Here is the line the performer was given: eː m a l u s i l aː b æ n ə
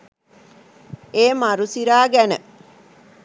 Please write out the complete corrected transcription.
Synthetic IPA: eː m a ɾ u s i ɾ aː ɡ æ n ə